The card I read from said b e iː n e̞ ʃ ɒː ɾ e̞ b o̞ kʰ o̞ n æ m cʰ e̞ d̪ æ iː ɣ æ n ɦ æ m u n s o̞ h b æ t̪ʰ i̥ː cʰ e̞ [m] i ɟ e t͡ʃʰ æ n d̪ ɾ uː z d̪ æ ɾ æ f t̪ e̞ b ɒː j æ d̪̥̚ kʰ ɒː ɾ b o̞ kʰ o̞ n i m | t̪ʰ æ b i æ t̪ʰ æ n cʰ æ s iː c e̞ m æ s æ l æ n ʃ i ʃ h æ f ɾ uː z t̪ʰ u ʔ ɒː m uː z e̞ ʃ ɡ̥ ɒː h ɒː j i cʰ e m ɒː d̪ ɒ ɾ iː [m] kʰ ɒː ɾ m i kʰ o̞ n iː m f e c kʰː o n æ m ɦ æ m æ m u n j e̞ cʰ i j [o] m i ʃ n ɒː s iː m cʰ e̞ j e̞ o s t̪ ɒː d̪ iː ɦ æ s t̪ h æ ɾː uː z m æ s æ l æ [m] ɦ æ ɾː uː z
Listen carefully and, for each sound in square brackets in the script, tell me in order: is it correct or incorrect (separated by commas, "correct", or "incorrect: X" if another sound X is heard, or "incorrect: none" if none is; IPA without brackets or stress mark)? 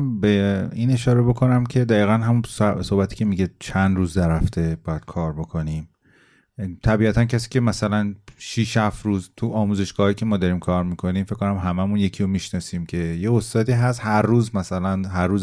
correct, correct, correct, incorrect: n